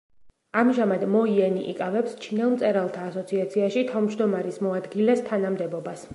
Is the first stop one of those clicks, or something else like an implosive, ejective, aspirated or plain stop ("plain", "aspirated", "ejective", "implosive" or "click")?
plain